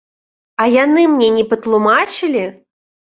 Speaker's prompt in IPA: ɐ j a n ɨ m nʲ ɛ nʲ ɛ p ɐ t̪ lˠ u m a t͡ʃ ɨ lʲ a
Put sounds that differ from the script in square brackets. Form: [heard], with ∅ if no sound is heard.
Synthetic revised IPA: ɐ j a n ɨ m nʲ ɛ nʲ ɛ p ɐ t̪ lˠ u m a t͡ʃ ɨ lʲ [i]